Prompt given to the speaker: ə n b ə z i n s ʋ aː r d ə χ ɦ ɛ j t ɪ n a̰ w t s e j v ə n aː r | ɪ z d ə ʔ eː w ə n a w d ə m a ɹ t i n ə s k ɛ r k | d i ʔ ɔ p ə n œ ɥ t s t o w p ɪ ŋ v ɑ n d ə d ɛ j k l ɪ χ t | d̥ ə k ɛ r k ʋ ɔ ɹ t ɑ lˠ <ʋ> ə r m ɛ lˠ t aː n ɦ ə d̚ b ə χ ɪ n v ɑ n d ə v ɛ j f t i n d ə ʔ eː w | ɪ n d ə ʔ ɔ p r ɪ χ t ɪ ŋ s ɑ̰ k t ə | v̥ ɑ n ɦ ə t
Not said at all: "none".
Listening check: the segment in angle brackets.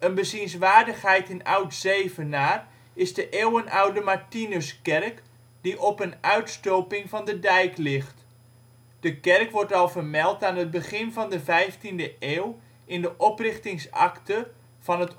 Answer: v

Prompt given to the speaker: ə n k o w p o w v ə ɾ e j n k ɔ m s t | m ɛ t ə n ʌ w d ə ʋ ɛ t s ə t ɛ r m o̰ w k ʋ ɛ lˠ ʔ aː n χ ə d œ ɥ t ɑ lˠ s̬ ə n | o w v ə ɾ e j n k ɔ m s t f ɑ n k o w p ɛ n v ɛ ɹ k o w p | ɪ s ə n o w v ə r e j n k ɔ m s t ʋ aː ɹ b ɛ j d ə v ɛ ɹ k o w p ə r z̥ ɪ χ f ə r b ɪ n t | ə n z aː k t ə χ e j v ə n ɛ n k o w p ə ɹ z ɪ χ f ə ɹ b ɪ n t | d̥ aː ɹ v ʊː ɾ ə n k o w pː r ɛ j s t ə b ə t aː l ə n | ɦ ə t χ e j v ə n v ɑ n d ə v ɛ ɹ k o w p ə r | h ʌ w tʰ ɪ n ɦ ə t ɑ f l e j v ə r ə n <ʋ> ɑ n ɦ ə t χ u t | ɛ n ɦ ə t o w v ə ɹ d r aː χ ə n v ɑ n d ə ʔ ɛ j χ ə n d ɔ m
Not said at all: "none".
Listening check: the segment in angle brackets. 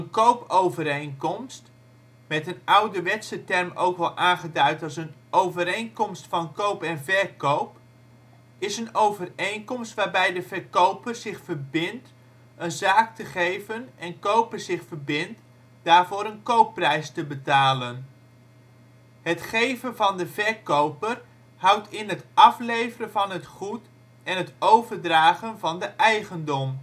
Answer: v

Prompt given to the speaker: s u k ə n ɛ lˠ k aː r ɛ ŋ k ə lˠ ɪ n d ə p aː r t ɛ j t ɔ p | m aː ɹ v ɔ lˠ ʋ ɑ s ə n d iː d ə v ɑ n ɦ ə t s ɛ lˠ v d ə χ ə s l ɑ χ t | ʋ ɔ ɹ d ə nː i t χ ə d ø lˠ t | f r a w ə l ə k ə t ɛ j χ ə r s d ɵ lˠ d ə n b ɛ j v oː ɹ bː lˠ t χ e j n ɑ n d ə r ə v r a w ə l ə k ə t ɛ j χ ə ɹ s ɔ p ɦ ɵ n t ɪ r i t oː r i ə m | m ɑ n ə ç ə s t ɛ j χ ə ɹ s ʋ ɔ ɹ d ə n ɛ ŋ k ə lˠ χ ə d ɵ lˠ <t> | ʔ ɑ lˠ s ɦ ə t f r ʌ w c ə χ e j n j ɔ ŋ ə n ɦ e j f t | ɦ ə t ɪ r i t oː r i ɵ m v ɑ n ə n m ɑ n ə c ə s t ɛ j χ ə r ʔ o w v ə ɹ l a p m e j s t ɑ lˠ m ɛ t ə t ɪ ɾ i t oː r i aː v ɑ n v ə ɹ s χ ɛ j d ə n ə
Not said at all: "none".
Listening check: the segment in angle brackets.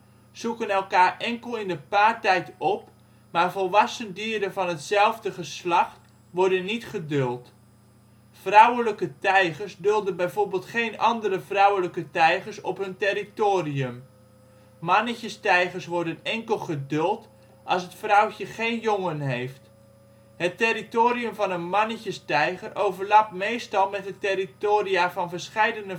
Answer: t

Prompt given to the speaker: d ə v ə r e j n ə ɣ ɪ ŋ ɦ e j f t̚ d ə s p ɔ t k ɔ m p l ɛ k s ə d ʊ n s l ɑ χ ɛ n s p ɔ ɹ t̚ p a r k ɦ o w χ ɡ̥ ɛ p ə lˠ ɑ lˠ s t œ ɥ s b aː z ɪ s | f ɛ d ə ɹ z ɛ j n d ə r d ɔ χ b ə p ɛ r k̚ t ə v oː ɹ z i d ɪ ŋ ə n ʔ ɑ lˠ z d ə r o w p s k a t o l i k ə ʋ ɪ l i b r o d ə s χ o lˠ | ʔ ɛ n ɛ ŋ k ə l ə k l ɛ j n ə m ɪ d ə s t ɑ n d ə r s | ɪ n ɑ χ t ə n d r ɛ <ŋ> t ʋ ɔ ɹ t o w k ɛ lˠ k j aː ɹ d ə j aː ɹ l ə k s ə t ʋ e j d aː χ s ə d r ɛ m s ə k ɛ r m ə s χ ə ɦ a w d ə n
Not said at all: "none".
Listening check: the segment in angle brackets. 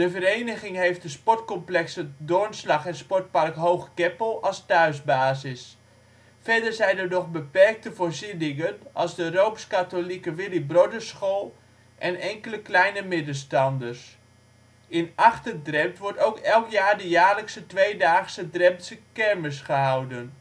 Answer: m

